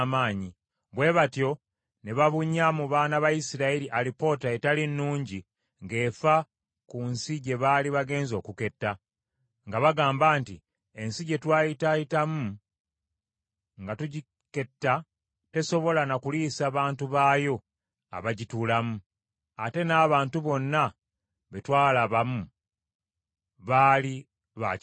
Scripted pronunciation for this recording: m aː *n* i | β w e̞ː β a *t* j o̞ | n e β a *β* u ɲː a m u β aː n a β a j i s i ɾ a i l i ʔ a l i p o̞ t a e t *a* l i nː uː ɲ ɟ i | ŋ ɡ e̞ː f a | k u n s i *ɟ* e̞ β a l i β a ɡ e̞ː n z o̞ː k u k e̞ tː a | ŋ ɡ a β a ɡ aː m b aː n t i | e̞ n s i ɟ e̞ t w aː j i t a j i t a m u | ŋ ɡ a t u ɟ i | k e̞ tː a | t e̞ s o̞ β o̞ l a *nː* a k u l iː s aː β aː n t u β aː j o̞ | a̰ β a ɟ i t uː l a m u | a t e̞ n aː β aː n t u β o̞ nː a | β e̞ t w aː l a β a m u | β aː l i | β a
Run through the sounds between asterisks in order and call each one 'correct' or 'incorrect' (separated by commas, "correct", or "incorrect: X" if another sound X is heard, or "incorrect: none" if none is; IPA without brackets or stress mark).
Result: incorrect: ɲ, correct, correct, correct, correct, incorrect: n